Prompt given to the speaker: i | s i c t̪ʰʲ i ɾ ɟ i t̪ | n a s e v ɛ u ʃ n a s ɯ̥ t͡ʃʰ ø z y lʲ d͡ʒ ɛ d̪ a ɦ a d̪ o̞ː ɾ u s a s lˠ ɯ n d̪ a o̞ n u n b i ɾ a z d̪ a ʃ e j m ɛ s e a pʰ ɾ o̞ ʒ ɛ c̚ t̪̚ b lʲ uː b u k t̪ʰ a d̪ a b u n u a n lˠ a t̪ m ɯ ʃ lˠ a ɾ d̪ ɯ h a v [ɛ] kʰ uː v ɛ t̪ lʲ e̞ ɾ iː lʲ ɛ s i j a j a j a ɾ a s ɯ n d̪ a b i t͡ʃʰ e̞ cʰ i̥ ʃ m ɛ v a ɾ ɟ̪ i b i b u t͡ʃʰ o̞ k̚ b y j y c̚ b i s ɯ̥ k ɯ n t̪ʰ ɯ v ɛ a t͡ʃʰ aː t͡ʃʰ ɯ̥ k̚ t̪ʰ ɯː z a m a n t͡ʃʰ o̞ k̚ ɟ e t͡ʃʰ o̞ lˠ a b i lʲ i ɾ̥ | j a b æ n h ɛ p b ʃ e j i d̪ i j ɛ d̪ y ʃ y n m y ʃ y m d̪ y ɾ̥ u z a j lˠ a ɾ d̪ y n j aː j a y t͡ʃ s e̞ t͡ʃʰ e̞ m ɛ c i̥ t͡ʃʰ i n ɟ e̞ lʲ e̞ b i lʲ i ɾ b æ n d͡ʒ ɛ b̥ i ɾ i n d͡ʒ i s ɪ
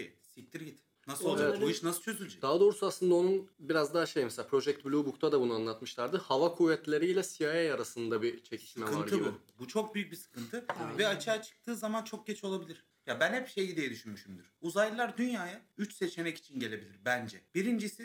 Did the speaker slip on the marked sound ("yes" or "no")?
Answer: yes